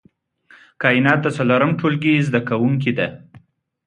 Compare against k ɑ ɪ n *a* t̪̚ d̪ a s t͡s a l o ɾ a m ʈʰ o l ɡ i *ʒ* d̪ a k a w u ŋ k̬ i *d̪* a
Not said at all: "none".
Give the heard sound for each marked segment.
ɑ, z, d̪

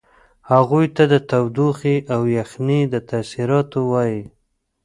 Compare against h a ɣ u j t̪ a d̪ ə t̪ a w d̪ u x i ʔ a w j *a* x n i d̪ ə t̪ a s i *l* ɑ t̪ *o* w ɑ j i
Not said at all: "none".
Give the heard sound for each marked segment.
a, ɾ, o

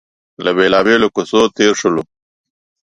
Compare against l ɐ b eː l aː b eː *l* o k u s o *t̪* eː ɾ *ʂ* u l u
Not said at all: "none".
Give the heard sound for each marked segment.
l, t̪, ʂ

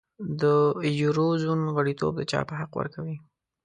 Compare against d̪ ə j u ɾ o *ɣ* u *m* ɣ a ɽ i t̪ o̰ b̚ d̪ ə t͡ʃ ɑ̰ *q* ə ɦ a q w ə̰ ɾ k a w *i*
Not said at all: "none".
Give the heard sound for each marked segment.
z, n, p, i

